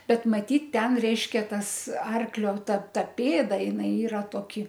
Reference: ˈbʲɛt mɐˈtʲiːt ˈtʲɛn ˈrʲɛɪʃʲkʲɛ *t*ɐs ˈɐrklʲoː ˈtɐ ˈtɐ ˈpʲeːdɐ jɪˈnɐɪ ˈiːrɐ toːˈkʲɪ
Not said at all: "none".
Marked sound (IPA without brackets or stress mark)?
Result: t